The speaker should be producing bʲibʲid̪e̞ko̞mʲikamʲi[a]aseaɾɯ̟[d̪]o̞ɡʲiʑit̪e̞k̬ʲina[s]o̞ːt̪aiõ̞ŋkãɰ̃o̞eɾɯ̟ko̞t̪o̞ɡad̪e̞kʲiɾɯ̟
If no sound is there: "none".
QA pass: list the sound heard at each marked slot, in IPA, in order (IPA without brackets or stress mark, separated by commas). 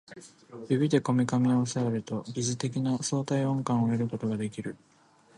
a, t̪, s